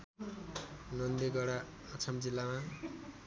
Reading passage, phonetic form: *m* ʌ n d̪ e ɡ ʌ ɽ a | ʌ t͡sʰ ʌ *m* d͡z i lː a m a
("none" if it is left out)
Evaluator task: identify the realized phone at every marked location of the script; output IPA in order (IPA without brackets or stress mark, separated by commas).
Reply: n, m